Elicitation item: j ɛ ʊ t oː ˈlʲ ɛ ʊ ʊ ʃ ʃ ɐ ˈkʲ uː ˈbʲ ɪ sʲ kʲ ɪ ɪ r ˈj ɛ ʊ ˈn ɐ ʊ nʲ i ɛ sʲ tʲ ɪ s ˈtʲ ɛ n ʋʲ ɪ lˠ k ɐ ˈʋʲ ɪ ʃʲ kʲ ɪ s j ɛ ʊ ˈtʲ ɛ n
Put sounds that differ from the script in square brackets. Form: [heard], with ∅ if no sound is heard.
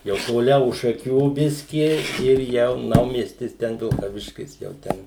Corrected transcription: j ɛ ʊ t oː ˈlʲ ɛ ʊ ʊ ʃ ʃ ɐ ˈkʲ uː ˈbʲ ɪ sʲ kʲ ɪ ɪ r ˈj ɛ ʊ ˈn ɐ ʊ [mʲ] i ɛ sʲ tʲ ɪ s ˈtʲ ɛ n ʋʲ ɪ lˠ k ɐ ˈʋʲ ɪ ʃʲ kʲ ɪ s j ɛ ʊ ˈtʲ ɛ n